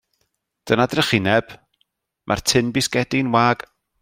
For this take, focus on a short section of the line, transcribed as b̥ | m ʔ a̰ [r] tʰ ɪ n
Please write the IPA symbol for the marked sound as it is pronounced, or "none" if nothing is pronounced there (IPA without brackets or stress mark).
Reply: r